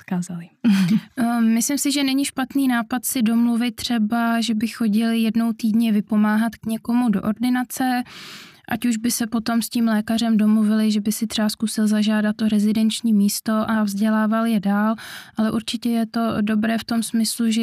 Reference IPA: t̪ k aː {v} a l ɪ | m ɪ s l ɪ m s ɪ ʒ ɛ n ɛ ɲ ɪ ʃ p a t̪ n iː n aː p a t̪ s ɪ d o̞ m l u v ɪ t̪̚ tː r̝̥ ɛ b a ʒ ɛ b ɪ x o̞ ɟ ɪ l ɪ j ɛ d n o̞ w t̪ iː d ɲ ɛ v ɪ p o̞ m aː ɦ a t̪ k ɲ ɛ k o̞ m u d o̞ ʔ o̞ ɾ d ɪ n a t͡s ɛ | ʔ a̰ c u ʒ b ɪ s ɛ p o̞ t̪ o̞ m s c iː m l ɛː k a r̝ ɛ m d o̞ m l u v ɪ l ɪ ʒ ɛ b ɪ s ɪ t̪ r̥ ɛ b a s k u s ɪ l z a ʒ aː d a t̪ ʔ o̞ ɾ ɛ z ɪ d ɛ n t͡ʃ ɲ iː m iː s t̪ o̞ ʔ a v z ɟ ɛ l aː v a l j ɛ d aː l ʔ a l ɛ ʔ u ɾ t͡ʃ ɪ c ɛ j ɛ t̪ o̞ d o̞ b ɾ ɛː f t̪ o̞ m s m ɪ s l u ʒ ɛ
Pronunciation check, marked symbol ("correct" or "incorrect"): incorrect